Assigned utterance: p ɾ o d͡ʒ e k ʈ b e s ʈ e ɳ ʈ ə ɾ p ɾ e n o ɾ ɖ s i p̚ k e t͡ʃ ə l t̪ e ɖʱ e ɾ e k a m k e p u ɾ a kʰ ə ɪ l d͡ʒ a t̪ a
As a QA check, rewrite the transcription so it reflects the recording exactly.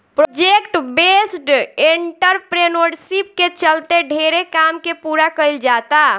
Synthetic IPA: p ɾ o d͡ʒ e k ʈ b e s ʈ e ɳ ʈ ə ɾ p ɾ e n o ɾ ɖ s i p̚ k e t͡ʃ ə l t̪ e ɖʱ e ɾ e k a m k e p u ɾ a k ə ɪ l d͡ʒ a t̪ a